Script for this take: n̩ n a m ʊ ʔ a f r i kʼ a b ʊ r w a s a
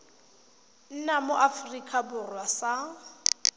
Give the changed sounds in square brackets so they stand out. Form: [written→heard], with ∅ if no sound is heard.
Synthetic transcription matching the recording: n̩ n a m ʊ ʔ a f r i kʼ a b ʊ r w a s a